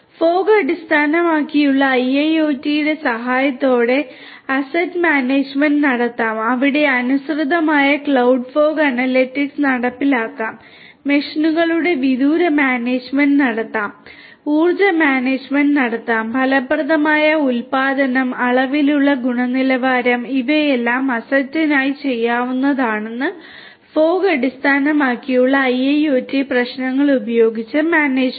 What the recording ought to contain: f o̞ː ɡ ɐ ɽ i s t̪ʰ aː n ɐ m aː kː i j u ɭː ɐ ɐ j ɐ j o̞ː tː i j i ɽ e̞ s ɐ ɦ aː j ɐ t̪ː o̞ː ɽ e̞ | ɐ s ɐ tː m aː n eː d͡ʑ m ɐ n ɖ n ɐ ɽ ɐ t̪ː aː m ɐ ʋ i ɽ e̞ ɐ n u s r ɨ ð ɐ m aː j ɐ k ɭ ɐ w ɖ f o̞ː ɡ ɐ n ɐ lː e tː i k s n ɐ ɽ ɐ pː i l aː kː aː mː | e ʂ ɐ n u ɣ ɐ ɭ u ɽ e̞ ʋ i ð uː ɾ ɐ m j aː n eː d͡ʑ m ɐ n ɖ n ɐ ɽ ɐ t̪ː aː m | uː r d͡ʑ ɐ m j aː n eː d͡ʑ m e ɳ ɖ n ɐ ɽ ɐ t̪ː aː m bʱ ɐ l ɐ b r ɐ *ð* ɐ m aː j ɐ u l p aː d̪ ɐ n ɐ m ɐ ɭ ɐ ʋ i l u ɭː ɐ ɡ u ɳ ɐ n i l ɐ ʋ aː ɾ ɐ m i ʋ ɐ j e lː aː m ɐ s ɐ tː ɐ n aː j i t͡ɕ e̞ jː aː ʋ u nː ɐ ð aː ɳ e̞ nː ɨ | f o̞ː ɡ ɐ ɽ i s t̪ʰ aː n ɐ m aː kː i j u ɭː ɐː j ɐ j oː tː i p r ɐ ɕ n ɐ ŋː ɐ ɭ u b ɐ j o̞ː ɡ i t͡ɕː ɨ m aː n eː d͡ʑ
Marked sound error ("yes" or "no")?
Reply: no